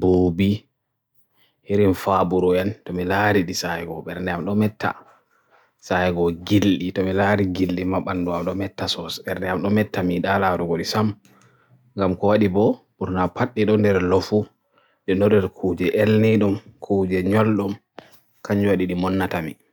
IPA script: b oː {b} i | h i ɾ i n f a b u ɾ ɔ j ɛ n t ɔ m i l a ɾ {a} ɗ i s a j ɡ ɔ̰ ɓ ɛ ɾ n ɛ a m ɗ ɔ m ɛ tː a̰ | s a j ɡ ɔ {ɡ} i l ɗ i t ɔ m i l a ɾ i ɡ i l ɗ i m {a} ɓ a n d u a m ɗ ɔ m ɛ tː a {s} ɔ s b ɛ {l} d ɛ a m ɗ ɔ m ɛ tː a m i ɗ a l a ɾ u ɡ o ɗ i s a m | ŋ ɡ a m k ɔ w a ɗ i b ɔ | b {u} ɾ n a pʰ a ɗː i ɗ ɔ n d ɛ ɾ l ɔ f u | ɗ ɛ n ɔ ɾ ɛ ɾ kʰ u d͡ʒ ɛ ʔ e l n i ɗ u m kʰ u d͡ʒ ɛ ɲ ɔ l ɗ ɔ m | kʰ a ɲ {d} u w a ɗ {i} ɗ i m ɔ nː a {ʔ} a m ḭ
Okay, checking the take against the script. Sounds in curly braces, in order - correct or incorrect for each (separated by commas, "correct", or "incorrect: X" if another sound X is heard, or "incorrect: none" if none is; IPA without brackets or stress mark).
correct, incorrect: i, correct, correct, correct, incorrect: ɾ, correct, incorrect: d͡ʒ, correct, incorrect: t